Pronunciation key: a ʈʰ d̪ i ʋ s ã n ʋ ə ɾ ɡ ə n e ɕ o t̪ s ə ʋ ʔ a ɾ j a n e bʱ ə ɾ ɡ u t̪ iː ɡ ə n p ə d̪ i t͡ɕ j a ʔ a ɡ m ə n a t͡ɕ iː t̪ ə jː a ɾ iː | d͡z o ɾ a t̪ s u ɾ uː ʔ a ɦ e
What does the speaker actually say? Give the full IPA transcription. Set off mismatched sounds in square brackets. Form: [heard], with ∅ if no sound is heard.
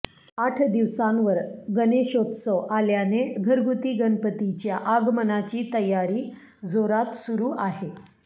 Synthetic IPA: a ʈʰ d̪ i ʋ s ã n ʋ ə ɾ ɡ ə n e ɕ o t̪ s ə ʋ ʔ a [l] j a n e [ɡʱ] ə ɾ ɡ u t̪ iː ɡ ə n p ə [t̪] i t͡ɕ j a ʔ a ɡ m ə n a t͡ɕ iː t̪ ə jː a ɾ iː | d͡z o ɾ a t̪ s u ɾ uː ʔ a ɦ e